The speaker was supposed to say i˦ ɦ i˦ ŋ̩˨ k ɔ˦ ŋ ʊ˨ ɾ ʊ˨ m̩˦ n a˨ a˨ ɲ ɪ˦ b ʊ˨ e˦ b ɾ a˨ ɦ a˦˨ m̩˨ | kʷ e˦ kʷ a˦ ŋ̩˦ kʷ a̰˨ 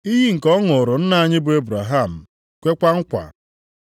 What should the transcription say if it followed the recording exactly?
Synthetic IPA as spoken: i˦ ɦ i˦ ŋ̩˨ k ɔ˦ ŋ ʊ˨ ɾ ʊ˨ n̩˦ n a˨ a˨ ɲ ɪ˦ b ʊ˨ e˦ b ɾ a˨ ɦ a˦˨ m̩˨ | kʷ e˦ kʷ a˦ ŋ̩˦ kʷ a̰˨